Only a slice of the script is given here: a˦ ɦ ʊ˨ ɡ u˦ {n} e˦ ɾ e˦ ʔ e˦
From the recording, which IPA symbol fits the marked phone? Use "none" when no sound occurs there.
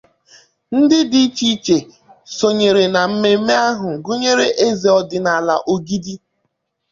ɲ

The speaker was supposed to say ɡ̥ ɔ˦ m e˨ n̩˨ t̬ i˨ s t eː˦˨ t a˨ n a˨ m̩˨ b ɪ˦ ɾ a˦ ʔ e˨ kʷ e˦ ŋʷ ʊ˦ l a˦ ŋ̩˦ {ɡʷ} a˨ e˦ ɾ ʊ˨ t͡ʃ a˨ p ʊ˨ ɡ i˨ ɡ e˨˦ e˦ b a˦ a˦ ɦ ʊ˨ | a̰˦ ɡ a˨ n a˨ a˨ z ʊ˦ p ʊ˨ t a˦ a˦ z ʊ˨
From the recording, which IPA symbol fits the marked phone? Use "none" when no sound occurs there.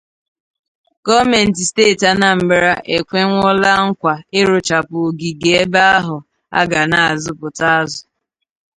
kʷ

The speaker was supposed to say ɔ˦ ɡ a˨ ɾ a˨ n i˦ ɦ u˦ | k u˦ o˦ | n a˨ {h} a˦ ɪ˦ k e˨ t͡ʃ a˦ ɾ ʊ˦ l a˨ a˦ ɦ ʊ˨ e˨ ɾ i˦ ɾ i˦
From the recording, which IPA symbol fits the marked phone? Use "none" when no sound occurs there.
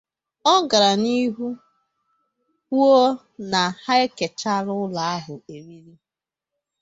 h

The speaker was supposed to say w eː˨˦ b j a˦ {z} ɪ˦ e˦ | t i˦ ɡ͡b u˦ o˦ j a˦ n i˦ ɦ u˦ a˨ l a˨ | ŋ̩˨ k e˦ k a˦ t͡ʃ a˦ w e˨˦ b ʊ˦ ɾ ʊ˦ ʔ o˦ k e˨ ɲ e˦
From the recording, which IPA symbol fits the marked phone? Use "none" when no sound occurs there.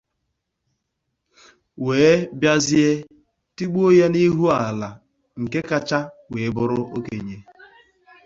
z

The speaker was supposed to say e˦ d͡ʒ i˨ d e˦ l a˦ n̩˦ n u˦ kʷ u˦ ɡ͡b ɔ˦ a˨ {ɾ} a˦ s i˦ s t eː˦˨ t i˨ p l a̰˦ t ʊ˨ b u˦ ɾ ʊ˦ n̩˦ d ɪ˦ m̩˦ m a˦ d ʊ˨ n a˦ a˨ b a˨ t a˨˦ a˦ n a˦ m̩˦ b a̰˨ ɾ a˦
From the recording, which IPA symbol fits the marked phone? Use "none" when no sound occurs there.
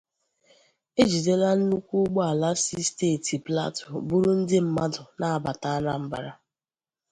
l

